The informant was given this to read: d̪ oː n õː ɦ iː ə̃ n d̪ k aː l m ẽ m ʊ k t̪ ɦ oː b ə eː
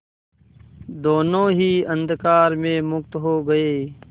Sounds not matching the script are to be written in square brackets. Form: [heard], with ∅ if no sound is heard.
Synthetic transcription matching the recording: d̪ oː n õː ɦ iː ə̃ n d̪ k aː [ɾ] m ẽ m ʊ k t̪ ɦ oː [ɡ] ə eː